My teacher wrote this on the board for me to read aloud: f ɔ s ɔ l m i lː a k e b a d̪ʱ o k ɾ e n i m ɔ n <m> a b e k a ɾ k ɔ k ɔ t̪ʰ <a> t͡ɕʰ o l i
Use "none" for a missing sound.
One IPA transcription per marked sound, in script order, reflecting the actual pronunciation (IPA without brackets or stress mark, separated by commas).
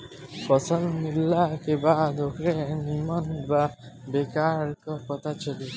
b, a